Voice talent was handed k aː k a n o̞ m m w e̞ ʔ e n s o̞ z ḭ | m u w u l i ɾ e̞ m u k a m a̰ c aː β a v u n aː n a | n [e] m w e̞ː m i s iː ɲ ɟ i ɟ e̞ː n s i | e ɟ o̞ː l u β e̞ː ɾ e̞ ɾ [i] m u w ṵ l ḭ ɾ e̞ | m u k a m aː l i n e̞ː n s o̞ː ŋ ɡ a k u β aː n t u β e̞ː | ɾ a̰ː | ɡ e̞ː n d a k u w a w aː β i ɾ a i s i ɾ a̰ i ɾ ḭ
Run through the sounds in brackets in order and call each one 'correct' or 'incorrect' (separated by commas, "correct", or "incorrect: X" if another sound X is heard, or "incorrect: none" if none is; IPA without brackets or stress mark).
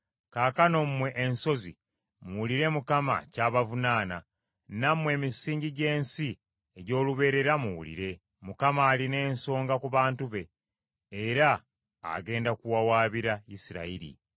incorrect: a, incorrect: a